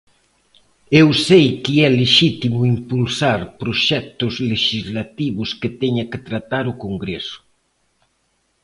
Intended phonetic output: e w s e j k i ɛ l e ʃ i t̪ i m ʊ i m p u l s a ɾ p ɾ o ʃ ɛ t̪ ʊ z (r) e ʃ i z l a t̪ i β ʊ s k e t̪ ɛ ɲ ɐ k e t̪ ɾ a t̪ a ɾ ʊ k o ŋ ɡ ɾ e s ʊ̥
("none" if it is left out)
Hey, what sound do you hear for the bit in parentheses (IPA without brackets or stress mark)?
l